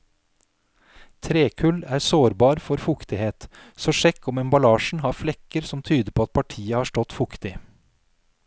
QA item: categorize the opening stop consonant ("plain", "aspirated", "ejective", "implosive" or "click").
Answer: aspirated